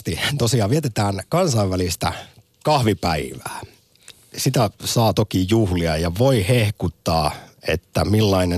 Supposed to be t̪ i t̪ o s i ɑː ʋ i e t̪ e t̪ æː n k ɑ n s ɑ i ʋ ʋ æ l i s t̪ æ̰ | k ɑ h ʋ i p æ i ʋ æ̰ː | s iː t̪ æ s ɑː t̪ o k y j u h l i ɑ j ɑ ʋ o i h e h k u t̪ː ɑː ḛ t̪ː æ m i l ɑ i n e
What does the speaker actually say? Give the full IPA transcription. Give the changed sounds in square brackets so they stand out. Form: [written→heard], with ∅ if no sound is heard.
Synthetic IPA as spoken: t̪ i t̪ o s i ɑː ʋ i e t̪ e t̪ æː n k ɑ n s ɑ i ʋ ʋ æ l i s t̪ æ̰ | k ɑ h ʋ i p æ i ʋ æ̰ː | s [iː→i] t̪ æ s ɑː t̪ o k [y→i] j u h l i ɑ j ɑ ʋ o i h e h k u t̪ː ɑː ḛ t̪ː æ m i [l→lː] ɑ i n e